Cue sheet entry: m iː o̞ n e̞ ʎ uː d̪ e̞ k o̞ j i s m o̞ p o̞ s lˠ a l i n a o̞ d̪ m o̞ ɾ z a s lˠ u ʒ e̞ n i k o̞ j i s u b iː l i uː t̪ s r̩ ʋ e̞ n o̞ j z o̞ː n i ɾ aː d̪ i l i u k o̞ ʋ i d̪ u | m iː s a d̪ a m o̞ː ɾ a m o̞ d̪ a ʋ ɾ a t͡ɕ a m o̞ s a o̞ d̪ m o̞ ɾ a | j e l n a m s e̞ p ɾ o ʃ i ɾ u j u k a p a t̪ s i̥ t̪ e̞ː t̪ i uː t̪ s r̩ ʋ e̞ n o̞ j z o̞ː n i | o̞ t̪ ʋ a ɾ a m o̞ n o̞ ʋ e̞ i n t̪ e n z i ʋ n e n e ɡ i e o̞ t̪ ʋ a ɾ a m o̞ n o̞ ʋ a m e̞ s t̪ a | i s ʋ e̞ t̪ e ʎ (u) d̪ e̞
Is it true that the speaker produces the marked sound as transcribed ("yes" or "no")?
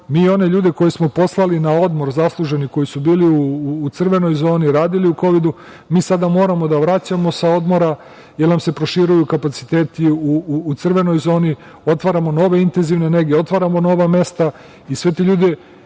no